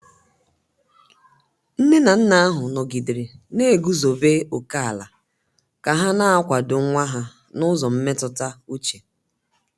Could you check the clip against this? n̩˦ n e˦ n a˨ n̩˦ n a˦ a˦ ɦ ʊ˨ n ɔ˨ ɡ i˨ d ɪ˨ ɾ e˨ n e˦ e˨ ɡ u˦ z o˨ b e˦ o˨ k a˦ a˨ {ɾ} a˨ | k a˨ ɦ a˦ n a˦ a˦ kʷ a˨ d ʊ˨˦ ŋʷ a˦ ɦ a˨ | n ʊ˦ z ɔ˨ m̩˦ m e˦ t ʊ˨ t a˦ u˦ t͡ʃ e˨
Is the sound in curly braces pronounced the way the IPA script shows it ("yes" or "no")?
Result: no